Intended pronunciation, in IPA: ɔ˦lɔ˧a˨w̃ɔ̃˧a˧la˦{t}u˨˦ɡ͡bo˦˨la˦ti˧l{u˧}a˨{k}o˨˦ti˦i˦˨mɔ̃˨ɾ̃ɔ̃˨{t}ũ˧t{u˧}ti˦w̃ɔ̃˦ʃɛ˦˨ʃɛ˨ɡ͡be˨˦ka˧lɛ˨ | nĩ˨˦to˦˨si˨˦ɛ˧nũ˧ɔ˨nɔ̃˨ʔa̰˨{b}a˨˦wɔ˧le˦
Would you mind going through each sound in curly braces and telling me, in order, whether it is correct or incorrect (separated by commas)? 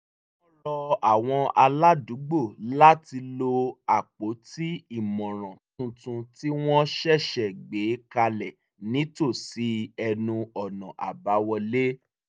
incorrect, incorrect, incorrect, correct, incorrect, correct